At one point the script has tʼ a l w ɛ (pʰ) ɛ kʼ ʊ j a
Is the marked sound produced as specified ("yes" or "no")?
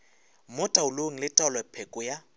yes